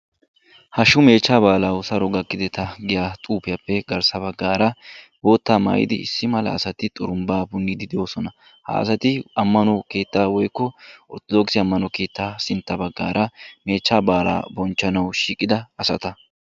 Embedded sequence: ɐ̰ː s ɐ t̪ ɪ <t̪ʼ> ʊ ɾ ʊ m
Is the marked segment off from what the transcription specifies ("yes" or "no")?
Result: no